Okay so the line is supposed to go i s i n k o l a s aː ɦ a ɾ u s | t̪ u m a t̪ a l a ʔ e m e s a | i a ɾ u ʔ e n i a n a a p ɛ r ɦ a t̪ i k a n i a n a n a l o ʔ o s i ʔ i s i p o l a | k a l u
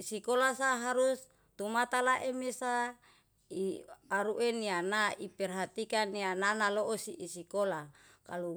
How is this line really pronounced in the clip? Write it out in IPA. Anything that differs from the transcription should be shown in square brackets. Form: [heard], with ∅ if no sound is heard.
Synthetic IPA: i s i [∅] k o l a s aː ɦ a ɾ u s | t̪ u m a t̪ a l a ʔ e m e s a | i a ɾ u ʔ e n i a n a [i] p ɛ r ɦ a t̪ i k a n i a n a n a l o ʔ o s i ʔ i s i [k] o l a | k a l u